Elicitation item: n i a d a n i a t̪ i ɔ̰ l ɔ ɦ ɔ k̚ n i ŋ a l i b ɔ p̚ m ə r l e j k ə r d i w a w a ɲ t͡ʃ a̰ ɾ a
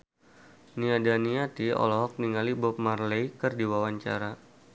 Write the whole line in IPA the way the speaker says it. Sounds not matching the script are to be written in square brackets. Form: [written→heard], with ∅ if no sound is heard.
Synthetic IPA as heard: n i a d a n i a t̪ i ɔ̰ l ɔ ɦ ɔ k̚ n i ŋ a l i b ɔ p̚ m [ə→a] r l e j k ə r d i w a w a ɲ t͡ʃ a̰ ɾ a